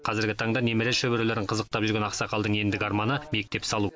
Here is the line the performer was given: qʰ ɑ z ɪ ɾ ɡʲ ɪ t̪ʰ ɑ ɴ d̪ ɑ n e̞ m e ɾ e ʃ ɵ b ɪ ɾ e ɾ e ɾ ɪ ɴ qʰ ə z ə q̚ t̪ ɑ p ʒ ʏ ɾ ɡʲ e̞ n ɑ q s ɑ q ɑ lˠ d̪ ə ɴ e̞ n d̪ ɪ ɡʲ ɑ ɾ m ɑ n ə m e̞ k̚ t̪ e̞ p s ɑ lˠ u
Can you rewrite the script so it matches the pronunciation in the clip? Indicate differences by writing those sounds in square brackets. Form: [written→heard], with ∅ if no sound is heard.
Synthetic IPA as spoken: qʰ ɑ z ɪ ɾ ɡʲ ɪ t̪ʰ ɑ ɴ d̪ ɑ n e̞ m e ɾ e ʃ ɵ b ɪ ɾ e [ɾ→l] e ɾ ɪ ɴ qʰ ə z ə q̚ t̪ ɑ p ʒ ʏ ɾ ɡʲ e̞ n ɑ q s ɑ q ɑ lˠ d̪ ə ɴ e̞ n d̪ ɪ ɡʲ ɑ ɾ m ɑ n ə m e̞ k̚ t̪ e̞ p s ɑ lˠ u